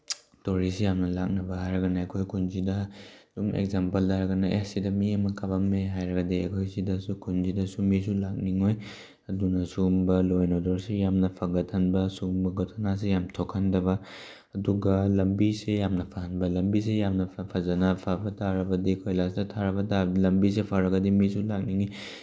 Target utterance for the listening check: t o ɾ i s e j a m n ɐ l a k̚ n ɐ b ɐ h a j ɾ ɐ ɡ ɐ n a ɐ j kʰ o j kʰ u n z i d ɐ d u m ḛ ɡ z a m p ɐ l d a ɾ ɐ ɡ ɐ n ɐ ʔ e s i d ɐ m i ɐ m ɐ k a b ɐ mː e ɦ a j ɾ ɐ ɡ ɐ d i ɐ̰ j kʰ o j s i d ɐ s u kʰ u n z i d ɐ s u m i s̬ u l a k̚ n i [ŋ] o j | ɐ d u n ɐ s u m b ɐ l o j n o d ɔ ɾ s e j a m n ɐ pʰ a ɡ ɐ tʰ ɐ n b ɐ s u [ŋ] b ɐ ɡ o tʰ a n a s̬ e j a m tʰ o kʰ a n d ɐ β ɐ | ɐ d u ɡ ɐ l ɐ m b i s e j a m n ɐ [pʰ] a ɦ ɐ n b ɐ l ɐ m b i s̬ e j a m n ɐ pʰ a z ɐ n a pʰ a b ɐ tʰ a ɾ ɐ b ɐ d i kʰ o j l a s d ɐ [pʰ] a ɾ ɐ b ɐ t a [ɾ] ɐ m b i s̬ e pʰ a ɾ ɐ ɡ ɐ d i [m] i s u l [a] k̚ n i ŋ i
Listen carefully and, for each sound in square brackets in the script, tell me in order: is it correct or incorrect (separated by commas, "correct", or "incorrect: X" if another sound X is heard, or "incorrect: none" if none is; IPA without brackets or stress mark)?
correct, incorrect: m, correct, incorrect: tʰ, incorrect: l, correct, correct